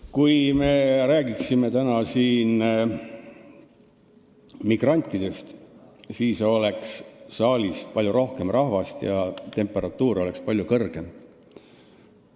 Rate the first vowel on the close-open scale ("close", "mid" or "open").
close